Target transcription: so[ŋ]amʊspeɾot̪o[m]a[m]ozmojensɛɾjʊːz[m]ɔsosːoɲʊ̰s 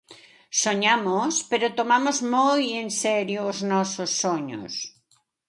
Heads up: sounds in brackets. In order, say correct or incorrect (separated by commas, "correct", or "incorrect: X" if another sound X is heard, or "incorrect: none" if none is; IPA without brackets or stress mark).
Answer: incorrect: ɲ, correct, correct, incorrect: n